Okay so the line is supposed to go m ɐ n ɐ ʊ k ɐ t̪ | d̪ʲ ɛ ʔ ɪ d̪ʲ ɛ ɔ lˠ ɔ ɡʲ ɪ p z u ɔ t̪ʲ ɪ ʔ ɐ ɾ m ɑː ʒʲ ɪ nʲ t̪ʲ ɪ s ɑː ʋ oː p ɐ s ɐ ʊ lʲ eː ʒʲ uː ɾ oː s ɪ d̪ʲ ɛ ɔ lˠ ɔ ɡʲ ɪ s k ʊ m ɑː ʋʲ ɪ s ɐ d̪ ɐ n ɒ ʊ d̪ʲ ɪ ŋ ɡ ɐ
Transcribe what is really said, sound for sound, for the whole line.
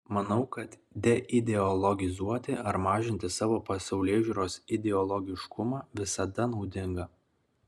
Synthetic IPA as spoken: m ɐ n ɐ ʊ k ɐ t̪ | d̪ʲ ɛ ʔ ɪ d̪ʲ ɛ ɔ lˠ ɔ ɡʲ ɪ z u ɔ t̪ʲ ɪ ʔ ɐ ɾ m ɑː ʒʲ ɪ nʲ t̪ʲ ɪ s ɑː ʋ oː p ɐ s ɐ ʊ lʲ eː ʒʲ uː ɾ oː s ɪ d̪ʲ ɛ ɔ lˠ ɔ ɡʲ ɪ ʃ k ʊ m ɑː ʋʲ ɪ s ɐ d̪ ɐ n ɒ ʊ d̪ʲ ɪ ŋ ɡ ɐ